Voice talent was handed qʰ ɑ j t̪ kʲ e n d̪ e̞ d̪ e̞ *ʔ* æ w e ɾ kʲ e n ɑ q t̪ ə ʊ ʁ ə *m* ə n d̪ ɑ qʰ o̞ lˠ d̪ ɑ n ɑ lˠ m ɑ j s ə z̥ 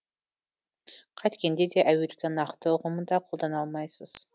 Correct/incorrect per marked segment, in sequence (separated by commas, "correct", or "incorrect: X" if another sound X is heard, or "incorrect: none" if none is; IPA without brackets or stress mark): correct, correct